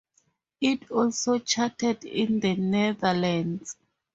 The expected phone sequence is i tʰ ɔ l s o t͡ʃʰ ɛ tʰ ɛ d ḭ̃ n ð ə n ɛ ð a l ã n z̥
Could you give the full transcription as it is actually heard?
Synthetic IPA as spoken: i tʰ ɔ l s o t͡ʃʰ a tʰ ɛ d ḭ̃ n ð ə n ɛ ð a l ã n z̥